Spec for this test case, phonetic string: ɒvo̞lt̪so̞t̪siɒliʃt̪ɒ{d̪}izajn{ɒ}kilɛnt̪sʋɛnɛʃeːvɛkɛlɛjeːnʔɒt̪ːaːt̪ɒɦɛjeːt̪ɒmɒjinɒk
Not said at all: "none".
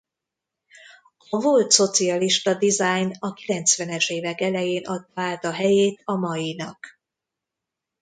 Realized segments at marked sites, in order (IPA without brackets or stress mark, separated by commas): d̪, ɒ